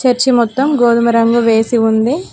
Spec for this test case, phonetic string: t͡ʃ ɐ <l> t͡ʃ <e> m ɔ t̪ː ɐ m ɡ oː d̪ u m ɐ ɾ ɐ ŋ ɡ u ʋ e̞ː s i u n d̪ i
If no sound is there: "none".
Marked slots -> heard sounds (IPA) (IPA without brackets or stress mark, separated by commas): ɾ, i